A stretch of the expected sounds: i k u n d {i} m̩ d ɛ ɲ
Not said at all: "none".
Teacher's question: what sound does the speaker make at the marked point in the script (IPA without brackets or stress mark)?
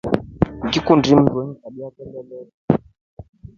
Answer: i